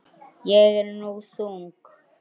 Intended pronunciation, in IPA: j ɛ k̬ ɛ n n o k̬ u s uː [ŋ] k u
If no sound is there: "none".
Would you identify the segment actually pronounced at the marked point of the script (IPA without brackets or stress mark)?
ŋ